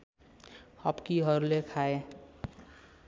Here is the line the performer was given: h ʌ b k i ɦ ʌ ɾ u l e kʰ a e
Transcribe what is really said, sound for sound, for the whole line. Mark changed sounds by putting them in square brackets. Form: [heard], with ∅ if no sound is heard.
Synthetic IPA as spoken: h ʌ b k i ɦ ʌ ɾ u l e kʰ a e